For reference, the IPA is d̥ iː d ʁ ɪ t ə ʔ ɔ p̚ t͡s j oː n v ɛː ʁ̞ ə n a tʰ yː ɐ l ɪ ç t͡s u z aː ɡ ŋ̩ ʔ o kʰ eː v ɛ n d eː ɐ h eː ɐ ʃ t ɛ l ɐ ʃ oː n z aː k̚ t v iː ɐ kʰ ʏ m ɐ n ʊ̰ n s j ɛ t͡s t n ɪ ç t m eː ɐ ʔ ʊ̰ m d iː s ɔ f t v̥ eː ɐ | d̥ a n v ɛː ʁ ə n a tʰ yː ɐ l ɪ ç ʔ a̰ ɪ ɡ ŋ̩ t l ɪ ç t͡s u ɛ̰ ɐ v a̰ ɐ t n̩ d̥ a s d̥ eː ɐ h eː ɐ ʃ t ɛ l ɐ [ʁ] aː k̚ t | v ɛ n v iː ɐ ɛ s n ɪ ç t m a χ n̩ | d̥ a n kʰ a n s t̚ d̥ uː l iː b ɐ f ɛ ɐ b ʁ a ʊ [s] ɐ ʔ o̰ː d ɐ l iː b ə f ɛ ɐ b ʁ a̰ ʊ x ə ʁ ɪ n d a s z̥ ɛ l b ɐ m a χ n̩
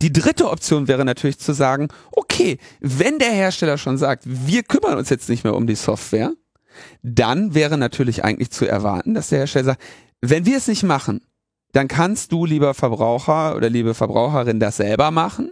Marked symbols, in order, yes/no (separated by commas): no, no